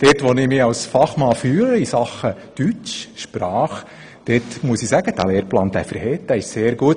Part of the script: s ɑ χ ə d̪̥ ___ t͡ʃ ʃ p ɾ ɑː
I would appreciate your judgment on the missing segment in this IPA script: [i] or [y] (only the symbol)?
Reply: y